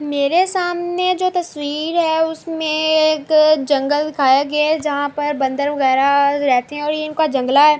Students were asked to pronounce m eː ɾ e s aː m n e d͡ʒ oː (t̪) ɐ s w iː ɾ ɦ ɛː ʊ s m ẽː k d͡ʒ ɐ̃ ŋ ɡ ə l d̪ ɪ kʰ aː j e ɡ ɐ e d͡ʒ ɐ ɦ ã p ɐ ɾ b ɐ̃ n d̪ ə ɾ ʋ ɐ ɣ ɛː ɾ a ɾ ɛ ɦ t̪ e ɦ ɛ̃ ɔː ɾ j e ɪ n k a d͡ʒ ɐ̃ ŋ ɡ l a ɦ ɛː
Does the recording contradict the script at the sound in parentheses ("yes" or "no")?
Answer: no